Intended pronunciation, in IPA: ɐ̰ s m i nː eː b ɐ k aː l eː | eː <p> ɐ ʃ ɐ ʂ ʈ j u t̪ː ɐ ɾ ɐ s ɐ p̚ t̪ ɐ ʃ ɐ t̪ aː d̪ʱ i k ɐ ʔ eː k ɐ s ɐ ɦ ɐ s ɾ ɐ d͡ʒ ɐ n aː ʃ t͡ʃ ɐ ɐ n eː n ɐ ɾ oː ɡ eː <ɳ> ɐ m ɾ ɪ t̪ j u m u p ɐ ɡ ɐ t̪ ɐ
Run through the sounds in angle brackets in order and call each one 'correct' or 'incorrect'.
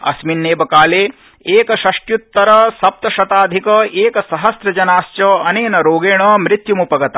incorrect: k, correct

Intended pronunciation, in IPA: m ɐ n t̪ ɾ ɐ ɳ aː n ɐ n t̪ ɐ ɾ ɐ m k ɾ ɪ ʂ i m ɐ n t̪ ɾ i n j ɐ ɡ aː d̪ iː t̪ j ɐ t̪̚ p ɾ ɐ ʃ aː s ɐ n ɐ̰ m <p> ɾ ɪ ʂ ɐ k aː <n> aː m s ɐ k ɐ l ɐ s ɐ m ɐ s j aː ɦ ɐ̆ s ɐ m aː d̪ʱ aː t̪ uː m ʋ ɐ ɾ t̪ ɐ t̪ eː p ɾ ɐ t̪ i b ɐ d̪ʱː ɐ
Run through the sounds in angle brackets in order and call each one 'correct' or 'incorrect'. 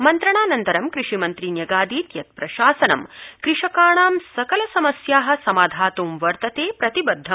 incorrect: k, incorrect: ɳ

